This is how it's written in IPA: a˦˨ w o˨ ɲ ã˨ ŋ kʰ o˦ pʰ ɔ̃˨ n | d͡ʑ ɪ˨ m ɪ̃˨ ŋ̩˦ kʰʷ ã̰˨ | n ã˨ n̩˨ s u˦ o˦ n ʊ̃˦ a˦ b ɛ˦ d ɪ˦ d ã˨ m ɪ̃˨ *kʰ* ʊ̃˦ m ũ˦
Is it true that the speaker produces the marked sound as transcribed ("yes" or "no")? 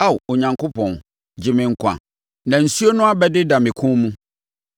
yes